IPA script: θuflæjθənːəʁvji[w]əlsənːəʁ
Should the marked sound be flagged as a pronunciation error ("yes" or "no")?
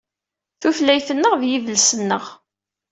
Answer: yes